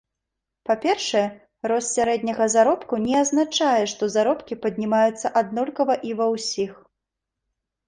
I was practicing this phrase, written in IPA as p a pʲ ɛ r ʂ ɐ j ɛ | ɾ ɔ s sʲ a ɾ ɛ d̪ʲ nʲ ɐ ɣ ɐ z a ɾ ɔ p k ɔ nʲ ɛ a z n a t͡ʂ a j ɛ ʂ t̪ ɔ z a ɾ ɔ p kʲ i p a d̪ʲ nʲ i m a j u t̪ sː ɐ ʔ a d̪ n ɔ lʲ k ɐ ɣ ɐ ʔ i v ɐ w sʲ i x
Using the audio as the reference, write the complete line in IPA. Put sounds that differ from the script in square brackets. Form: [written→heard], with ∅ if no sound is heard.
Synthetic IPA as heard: p a pʲ ɛ r ʂ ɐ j ɛ | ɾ ɔ s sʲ a ɾ ɛ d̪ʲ nʲ ɐ ɣ ɐ z a ɾ ɔ p k [ɔ→u] nʲ ɛ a z n a t͡ʂ a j ɛ ʂ t̪ ɔ z a ɾ ɔ p kʲ i p [a→ɐ] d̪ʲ nʲ i m a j u t̪ sː ɐ ʔ a d̪ n ɔ lʲ k ɐ [ɣ→v] ɐ ʔ i v ɐ w sʲ i x